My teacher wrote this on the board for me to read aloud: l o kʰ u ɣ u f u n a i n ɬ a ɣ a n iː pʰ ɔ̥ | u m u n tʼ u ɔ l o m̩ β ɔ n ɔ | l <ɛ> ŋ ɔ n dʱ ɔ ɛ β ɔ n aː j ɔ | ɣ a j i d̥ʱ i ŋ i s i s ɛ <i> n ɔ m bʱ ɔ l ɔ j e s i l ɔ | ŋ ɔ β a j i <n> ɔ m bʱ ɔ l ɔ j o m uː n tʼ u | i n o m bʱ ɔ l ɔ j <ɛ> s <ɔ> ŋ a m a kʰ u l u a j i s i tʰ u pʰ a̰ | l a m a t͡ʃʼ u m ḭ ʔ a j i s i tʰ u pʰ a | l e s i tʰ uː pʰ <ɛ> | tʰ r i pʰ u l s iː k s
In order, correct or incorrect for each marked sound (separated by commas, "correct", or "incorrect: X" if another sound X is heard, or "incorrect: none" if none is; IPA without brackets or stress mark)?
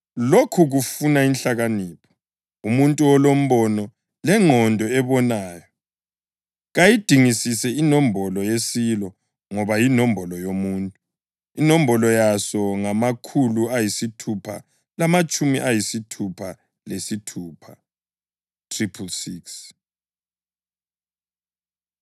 correct, correct, correct, incorrect: a, correct, incorrect: a